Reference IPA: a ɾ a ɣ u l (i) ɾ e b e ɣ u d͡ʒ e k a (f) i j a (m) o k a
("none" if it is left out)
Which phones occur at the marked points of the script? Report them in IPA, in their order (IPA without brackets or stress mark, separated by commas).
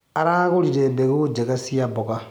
i, s, b